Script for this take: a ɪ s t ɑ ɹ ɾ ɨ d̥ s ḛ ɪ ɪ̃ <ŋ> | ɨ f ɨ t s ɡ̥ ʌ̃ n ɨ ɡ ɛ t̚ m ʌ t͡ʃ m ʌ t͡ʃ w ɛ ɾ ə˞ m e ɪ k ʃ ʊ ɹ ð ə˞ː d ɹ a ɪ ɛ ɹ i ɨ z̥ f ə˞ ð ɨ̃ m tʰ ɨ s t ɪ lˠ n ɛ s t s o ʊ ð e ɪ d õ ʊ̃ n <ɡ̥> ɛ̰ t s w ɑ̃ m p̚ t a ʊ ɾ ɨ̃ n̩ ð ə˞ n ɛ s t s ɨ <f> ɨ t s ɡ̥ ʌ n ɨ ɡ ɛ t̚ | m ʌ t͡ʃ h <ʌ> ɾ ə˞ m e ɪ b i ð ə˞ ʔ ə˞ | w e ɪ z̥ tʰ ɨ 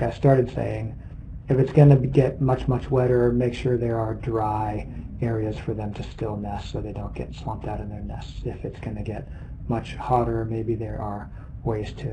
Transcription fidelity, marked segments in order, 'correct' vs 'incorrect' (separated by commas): correct, correct, correct, incorrect